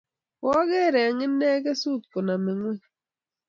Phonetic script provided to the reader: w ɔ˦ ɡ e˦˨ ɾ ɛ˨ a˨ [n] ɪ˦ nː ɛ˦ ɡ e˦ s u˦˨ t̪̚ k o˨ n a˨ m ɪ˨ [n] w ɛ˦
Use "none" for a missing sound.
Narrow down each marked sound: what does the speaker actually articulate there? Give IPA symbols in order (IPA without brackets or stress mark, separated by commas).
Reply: ŋ, ŋ